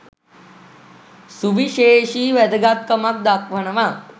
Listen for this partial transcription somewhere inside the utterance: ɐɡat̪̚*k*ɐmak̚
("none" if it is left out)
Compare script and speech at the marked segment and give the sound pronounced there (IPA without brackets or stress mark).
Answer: k